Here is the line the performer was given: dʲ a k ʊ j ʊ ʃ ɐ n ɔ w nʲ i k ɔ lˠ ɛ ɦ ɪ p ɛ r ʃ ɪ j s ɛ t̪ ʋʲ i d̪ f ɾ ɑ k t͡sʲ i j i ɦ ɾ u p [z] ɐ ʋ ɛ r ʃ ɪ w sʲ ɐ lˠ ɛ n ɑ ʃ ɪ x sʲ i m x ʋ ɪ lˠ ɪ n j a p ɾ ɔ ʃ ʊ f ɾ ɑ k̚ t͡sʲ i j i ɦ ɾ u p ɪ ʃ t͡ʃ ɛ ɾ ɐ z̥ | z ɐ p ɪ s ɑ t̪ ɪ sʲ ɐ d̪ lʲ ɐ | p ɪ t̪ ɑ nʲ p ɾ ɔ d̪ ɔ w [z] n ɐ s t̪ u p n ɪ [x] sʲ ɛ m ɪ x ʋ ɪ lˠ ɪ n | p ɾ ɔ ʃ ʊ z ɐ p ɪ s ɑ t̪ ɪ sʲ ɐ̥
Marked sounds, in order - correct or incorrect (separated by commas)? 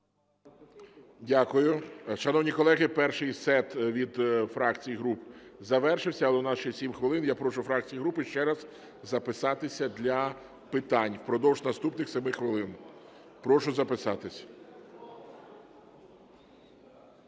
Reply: correct, incorrect, correct